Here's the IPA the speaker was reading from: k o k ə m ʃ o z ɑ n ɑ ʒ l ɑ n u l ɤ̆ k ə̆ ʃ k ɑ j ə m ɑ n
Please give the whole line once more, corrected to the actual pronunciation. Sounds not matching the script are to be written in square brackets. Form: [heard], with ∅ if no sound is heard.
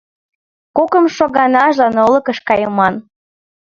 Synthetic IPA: k o k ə m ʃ o [ɣ] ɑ n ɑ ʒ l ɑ n [o] l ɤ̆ k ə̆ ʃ k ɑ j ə m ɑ n